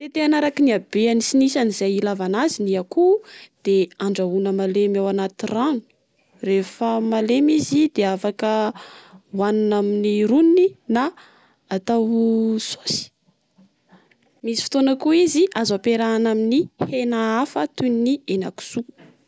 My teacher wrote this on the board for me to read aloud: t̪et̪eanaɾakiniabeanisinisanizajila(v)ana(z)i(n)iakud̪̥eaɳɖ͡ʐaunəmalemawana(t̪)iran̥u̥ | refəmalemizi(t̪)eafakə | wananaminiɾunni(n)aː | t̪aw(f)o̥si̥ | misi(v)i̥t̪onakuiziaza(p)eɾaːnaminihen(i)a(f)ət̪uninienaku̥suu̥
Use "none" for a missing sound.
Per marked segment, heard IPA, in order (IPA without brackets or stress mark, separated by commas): v, z, n, t̪, d̪, n, s, f, p, a, f